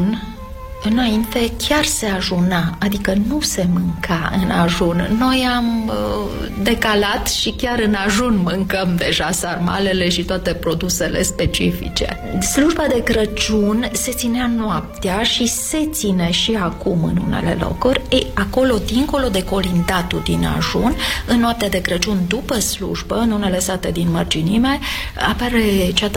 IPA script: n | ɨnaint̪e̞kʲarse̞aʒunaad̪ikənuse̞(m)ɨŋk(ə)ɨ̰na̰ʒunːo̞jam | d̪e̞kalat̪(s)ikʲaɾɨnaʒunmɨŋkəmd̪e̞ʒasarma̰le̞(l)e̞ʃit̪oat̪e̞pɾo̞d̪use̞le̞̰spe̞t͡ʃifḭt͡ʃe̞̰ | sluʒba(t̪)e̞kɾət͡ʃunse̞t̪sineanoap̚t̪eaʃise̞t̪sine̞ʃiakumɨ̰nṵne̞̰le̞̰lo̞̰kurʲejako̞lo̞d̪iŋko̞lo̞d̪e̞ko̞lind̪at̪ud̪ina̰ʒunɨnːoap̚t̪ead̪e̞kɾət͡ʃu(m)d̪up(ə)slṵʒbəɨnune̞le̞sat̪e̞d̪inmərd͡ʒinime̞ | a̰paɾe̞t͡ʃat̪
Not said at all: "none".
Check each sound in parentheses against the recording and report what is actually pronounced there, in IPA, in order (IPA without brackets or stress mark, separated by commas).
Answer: m, a, ʃ, l, d̪, n, ə